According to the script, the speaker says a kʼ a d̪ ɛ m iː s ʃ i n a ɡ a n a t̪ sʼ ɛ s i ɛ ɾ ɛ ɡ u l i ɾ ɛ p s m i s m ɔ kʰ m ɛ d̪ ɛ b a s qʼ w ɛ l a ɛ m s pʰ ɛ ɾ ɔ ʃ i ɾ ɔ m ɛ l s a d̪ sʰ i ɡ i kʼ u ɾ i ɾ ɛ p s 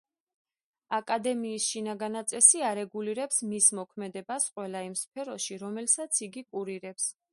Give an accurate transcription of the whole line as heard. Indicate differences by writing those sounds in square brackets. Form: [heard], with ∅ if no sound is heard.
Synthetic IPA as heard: a kʼ a d̪ ɛ m iː s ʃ i n a ɡ a n a t̪ sʼ ɛ s i [a] ɾ ɛ ɡ u l i ɾ ɛ p s m i s m ɔ kʰ m ɛ d̪ ɛ b a s qʼ w ɛ l a [i] m s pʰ ɛ ɾ ɔ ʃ i ɾ ɔ m ɛ l s a [t̪] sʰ i ɡ i kʼ u ɾ i ɾ ɛ p s